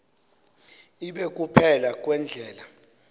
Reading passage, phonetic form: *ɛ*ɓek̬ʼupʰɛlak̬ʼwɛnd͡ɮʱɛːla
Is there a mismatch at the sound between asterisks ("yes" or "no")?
yes